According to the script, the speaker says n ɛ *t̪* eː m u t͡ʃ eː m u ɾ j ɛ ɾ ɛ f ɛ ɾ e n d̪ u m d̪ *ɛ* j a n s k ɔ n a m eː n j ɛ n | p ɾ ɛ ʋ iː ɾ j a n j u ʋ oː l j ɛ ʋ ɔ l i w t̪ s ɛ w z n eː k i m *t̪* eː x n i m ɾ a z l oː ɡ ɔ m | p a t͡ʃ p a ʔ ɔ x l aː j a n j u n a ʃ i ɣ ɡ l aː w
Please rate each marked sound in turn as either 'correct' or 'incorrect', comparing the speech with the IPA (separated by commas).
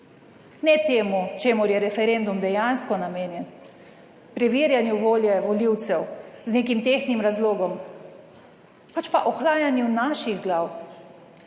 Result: correct, correct, correct